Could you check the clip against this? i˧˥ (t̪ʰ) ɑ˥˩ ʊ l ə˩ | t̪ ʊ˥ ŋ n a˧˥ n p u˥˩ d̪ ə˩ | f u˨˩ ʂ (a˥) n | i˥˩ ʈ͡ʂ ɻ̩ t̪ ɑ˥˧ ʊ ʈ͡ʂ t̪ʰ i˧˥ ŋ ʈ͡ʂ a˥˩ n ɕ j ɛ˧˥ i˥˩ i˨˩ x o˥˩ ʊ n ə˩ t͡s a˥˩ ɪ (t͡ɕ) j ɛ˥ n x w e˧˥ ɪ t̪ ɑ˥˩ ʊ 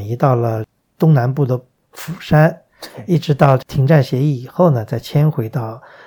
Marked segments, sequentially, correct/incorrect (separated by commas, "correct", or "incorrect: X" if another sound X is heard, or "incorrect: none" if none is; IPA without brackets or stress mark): incorrect: t̪, correct, incorrect: t͡ɕʰ